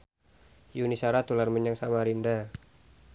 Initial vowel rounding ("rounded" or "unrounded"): rounded